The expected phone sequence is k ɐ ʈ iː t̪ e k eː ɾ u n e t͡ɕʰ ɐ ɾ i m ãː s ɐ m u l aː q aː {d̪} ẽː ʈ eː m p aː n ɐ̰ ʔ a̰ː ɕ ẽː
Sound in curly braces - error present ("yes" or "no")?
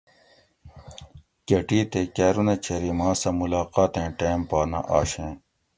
yes